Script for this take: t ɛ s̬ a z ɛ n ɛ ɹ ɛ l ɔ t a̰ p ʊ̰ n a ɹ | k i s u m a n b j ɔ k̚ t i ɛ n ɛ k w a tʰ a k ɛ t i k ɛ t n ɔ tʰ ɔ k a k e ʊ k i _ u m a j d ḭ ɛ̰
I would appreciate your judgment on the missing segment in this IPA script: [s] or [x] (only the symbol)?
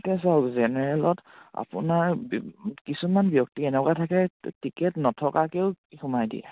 x